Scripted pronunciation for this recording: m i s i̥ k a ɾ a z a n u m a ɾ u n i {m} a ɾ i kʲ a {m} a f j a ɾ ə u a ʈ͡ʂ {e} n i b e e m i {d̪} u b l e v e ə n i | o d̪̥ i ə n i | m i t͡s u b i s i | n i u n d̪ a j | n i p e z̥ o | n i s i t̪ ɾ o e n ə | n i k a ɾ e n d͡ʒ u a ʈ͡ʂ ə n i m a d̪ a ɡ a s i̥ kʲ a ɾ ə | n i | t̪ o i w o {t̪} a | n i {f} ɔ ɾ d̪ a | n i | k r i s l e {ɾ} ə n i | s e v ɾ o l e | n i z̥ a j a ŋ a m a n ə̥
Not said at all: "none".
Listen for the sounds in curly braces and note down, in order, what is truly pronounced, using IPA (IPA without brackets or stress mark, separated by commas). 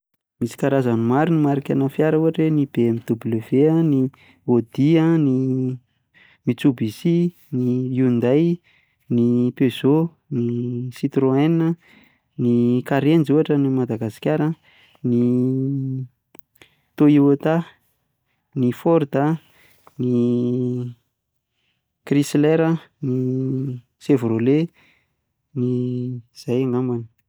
m, n, e, d̪, t̪, f, ɾ